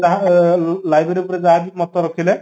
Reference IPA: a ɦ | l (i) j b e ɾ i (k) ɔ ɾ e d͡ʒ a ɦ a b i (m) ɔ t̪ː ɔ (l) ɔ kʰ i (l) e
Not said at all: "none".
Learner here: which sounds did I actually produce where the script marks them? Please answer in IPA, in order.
a, p, m, ɾ, l

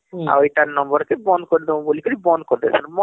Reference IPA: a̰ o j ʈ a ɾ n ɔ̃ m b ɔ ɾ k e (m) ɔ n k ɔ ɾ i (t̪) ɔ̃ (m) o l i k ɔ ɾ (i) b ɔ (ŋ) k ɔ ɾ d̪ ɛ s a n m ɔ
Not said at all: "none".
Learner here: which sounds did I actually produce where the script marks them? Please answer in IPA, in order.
b, d̪, b, i, n

